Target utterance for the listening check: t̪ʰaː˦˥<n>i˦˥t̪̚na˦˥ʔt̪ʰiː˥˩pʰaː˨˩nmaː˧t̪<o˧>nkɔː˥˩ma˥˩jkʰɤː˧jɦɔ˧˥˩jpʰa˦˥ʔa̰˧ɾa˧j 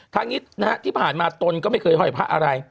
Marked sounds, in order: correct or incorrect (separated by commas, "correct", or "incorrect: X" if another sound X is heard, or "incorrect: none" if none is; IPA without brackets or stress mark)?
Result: incorrect: ŋ, correct